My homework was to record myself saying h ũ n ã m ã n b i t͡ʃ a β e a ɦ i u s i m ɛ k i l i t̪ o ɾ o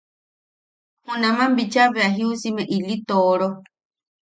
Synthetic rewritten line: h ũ n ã m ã m b i t͡ʃ a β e a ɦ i u s i m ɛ ʔ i l i t̪ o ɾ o